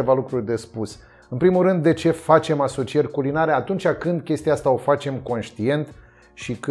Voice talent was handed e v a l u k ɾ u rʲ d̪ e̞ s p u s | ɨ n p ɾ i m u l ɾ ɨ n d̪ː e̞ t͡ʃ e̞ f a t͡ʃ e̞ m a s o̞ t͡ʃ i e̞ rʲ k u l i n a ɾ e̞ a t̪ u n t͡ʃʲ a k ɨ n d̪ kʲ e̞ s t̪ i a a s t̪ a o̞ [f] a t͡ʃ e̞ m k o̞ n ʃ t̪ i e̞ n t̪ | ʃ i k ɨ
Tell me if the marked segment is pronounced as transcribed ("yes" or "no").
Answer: yes